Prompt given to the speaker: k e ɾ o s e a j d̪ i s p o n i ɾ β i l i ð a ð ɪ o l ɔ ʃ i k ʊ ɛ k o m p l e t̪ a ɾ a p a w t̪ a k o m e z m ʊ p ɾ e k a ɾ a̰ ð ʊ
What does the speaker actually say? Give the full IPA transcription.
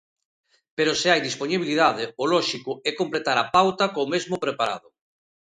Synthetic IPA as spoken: p e ɾ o s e a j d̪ i s p o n i β i l i ð a ð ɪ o l ɔ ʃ i k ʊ ɛ k o m p l e t̪ a ɾ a p a w t̪ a k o m e z m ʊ p ɾ e p a ɾ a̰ ð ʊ